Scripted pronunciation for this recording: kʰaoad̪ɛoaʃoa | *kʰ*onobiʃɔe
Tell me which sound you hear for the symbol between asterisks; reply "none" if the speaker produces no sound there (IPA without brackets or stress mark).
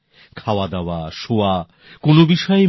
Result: k